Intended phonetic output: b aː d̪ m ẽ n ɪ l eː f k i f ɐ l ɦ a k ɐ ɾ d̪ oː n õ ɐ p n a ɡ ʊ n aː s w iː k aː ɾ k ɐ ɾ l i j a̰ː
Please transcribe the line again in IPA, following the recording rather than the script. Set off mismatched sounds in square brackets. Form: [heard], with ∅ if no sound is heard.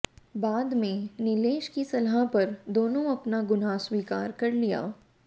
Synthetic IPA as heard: b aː d̪ m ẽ n ɪ l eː [ʃ] k i [s] ɐ l ɦ a [p] ɐ ɾ d̪ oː n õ ɐ p n a ɡ ʊ n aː s w iː k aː ɾ k ɐ ɾ l i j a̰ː

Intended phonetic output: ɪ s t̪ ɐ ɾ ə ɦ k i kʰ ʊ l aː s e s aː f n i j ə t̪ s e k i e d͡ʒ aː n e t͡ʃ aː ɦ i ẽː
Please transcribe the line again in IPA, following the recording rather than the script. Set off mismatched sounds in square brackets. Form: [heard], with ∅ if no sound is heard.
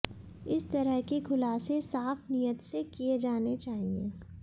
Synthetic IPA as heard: ɪ s t̪ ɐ ɾ ə ɦ k i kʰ ʊ l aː s e s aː f n i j ə t̪ s e k i e d͡ʒ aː n e t͡ʃ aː ɦ i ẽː

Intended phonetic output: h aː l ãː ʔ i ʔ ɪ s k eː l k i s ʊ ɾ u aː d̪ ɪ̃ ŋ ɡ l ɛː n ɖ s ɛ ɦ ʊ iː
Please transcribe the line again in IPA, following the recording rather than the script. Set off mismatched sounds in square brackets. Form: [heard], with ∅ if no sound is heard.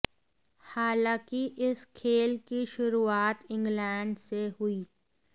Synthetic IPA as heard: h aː l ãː [k] i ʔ ɪ s [kʰ] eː l k i [ʃ] ʊ ɾ u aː [t̪] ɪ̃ ŋ ɡ l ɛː [ɳ] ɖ s [e] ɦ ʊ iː

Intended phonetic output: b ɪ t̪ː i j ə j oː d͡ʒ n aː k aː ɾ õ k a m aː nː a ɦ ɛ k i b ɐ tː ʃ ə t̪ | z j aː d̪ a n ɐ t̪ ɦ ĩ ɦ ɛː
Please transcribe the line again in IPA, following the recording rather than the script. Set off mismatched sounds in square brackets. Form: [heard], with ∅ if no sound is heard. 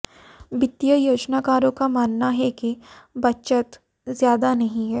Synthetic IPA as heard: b ɪ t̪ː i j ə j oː d͡ʒ n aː k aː ɾ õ k a m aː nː a ɦ ɛ k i b ɐ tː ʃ ə t̪ | z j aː d̪ a n ɐ [∅] ɦ ĩ ɦ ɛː

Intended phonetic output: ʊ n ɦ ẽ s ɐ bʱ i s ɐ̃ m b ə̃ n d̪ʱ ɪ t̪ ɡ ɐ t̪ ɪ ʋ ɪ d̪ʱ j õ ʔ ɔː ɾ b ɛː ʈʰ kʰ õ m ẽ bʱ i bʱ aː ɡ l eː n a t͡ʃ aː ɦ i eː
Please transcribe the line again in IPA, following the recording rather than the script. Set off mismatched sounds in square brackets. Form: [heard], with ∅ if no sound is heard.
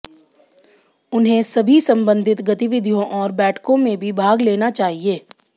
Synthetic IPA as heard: ʊ n ɦ ẽ s ɐ bʱ i s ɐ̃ m b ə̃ n d̪ʱ ɪ t̪ ɡ ɐ t̪ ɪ ʋ ɪ d̪ʱ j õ ʔ ɔː ɾ b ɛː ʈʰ [k] õ m ẽ bʱ i bʱ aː ɡ l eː n a t͡ʃ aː ɦ i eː

